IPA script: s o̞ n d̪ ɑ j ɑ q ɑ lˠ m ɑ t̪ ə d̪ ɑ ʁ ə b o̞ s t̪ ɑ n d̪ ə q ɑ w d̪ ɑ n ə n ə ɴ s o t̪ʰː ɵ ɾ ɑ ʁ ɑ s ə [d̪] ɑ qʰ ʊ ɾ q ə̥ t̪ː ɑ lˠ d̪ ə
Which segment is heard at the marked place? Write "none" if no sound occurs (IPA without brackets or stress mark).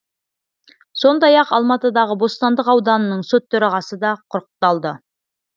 d̪